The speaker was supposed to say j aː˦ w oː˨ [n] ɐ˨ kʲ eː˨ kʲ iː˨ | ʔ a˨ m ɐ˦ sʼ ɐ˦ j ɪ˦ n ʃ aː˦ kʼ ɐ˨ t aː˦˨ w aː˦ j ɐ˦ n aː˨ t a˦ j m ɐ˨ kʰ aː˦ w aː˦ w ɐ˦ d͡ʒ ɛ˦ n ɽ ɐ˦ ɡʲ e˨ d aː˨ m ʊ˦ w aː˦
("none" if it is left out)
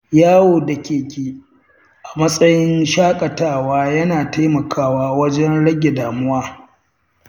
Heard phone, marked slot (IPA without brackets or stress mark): d